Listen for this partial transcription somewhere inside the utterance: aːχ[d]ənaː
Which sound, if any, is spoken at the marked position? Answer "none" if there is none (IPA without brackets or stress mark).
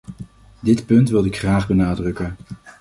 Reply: b